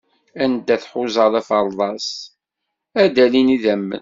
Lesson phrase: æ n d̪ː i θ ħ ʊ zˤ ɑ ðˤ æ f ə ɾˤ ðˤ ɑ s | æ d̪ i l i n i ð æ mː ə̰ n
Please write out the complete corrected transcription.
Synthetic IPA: æ n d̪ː æ θ ħ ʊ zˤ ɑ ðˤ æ f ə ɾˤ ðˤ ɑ s | æ d̪ æ l i n i ð æ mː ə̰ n